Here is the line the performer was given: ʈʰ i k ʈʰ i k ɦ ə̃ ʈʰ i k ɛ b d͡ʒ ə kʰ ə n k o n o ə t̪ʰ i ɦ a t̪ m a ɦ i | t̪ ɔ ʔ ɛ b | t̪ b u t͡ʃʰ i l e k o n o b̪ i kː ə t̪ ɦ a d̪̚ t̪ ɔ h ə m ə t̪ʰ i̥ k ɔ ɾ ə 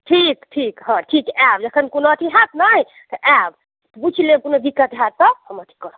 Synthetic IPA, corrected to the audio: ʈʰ i k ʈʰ i k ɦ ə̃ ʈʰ i k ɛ b d͡ʒ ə kʰ ə n k o n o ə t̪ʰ i ɦ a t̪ n a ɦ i | t̪ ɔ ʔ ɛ b | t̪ b u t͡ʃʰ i l e k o n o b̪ i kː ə t̪ ɦ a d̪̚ t̪ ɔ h ə m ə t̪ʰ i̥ k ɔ ɾ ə